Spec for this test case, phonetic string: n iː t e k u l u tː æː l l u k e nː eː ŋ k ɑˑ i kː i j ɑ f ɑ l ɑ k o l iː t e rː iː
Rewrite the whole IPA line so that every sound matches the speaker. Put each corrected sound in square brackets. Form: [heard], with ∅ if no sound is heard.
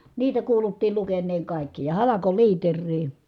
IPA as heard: n iː t [æ] k [uː] l u tː [iː] l l u k e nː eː ŋ k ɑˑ i kː i j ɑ [h] ɑ l ɑ k o l iː t e rː iː